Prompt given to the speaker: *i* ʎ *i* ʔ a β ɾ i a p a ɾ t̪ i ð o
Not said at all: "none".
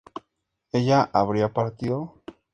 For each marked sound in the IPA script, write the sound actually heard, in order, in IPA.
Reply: e, a

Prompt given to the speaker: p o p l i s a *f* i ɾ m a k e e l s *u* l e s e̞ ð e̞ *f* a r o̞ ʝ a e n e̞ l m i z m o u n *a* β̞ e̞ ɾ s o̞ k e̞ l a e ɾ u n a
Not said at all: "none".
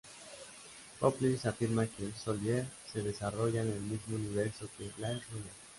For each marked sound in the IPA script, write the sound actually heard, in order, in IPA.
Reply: f, o, s, i

